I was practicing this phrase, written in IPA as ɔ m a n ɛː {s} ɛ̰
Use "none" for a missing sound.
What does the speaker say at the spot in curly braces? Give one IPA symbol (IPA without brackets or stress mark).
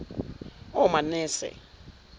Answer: s